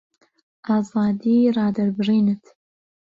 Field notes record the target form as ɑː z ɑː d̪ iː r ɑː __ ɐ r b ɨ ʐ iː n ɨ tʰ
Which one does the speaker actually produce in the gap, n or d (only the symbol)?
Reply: d